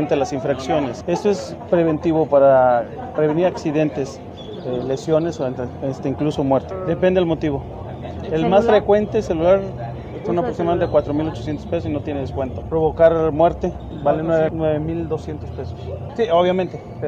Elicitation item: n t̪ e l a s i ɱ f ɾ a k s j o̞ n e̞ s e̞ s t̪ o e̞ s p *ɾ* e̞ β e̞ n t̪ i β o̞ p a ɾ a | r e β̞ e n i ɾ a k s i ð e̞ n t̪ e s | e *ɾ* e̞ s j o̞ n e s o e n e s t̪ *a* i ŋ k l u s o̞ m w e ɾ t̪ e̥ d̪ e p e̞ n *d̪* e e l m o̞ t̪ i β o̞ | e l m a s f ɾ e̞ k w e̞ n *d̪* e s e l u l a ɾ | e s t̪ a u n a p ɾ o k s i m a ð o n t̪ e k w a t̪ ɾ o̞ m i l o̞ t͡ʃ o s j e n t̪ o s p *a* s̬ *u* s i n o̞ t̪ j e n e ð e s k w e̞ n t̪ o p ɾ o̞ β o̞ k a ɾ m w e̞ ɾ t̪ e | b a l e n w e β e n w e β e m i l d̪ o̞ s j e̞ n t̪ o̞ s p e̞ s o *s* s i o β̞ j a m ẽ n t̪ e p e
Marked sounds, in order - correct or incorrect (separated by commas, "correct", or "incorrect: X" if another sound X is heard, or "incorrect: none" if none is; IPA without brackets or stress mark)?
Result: correct, incorrect: l, incorrect: e, correct, incorrect: t̪, incorrect: e, incorrect: o, correct